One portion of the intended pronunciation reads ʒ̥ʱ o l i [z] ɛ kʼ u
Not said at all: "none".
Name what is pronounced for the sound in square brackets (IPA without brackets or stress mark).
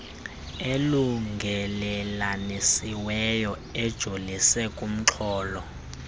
s